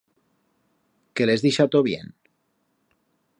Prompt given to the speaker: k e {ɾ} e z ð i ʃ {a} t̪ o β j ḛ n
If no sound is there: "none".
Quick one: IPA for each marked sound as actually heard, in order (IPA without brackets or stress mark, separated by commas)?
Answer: l, a